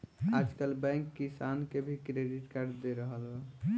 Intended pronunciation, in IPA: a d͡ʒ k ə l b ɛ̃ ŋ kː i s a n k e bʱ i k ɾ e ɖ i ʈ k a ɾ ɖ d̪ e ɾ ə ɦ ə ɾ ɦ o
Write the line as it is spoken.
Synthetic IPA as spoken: a d͡ʒ k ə l b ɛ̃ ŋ kː i s a n k e bʱ i k ɾ e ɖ i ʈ k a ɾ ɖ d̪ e ɾ ə ɦ ə l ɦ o